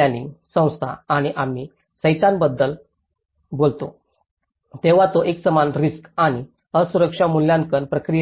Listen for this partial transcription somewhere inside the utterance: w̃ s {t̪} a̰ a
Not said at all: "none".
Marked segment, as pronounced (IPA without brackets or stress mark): t̪ʰ